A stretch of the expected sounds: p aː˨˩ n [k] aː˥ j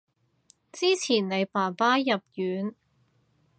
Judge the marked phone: incorrect: p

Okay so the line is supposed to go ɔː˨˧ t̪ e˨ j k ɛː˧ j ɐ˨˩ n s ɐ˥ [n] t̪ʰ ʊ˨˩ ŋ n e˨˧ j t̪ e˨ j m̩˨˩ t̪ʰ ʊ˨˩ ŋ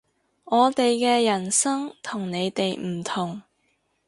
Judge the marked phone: incorrect: ŋ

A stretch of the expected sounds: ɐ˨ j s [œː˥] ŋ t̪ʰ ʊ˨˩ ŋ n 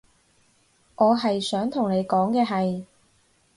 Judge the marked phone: incorrect: œː˨˥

